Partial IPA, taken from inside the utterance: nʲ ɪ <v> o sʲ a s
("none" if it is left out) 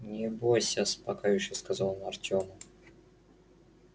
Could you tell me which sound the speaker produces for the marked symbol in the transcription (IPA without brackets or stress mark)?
b